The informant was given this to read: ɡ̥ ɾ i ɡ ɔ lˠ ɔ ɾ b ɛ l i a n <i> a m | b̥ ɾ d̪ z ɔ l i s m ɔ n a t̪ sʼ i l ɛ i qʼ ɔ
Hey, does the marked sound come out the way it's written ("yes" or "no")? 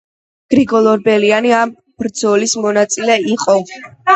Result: yes